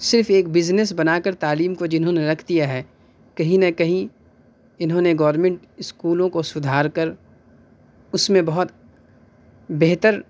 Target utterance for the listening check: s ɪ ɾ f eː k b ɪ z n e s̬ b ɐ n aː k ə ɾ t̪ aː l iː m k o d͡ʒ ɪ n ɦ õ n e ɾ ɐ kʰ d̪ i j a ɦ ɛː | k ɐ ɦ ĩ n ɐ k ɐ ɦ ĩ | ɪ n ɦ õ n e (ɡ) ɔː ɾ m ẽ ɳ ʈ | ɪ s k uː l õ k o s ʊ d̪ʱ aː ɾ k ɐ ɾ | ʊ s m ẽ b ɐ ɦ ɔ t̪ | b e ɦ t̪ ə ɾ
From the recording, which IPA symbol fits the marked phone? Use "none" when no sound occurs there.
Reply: ɡ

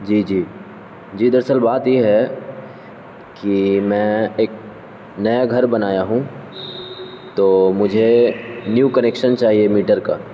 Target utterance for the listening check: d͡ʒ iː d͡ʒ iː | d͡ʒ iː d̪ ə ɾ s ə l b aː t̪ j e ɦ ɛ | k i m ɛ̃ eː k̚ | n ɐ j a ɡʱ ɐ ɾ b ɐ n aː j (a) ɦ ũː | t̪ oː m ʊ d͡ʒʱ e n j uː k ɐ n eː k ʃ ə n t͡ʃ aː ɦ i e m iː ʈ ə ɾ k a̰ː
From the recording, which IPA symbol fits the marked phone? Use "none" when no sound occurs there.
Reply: a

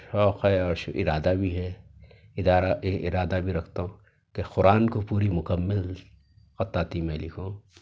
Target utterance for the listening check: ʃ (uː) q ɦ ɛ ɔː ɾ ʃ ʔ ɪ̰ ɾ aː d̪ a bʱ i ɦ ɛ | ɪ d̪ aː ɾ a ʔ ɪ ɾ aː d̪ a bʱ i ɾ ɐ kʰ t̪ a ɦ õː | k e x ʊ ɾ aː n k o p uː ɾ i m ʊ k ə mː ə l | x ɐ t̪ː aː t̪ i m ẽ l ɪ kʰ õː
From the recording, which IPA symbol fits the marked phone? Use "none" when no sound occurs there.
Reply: ɔː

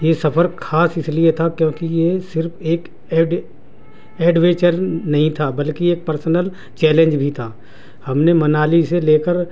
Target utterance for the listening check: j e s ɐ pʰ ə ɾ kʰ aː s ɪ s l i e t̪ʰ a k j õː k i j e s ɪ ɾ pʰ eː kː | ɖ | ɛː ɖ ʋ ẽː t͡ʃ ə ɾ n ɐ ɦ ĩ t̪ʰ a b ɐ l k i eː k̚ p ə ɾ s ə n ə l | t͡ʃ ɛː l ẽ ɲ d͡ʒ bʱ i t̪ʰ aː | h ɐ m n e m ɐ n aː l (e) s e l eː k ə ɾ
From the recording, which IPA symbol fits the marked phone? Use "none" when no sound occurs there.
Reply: i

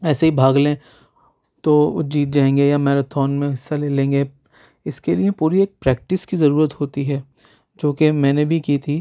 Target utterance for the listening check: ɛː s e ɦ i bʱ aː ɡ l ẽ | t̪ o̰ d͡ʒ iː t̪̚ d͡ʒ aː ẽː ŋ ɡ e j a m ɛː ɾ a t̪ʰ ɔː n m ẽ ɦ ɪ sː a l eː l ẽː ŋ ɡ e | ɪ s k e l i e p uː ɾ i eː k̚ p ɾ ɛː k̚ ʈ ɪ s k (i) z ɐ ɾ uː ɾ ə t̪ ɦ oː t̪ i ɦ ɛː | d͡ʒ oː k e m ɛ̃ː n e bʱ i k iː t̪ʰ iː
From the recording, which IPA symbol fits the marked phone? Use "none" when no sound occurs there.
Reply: i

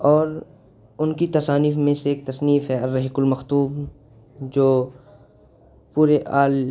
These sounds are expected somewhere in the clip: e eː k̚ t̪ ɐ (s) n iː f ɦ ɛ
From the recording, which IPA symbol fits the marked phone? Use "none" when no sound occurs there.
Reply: s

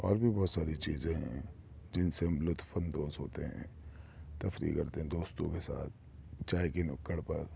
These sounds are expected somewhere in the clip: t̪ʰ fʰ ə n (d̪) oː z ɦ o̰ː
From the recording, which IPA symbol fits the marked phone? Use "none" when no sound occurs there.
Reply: d̪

